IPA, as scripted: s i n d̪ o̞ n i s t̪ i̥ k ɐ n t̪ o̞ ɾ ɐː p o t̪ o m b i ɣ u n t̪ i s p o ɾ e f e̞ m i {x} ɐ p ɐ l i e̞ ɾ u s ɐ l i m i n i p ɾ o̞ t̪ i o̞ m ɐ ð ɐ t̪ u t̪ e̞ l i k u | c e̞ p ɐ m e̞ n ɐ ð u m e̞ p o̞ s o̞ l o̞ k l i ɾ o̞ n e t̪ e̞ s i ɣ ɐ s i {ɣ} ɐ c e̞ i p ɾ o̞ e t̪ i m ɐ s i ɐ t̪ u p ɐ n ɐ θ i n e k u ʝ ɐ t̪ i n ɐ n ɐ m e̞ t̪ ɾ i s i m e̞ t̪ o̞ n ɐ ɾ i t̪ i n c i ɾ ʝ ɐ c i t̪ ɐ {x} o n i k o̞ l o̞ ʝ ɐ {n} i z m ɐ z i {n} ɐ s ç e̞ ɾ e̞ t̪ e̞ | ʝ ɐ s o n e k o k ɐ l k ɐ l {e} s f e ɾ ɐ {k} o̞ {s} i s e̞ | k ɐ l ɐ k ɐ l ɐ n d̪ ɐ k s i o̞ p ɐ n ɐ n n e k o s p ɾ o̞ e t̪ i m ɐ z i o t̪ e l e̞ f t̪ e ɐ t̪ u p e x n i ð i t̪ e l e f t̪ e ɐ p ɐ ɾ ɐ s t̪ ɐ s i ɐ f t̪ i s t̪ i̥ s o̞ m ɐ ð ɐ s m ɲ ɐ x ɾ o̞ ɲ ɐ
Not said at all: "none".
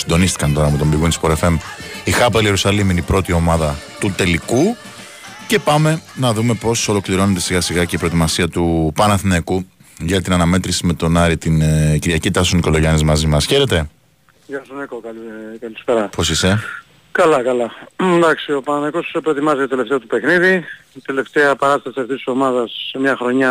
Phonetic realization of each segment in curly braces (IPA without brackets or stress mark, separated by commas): x, ɣ, s, n, m, i, p, s